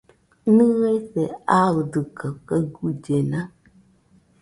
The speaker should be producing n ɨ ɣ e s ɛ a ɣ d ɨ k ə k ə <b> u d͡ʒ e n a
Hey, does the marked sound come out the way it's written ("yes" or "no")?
no